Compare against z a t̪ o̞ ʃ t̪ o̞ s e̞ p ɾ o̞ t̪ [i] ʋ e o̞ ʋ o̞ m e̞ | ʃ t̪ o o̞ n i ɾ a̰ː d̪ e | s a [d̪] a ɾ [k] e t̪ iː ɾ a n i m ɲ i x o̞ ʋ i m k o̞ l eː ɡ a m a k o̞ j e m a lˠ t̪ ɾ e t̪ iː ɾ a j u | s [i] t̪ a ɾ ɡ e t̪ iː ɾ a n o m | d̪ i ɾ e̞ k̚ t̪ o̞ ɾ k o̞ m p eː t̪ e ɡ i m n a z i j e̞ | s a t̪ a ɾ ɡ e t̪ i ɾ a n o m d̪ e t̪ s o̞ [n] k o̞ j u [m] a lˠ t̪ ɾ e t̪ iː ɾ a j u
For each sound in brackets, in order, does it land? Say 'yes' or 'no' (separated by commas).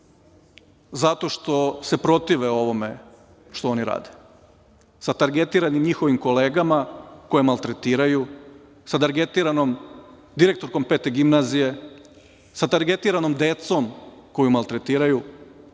yes, no, no, no, no, yes